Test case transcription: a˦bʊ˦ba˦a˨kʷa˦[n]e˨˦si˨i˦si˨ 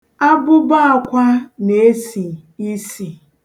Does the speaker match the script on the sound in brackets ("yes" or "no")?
yes